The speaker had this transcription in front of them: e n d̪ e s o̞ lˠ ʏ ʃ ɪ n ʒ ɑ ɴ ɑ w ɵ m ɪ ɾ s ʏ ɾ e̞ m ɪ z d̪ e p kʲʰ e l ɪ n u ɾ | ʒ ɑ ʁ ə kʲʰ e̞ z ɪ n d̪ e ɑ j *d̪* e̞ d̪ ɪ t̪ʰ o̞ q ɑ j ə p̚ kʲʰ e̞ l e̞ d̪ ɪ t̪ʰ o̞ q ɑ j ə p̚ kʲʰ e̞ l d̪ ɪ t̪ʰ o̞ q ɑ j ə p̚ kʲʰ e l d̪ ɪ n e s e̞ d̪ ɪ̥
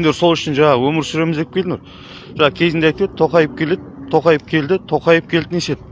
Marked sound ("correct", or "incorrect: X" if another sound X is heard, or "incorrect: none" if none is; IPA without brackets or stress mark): incorrect: t̪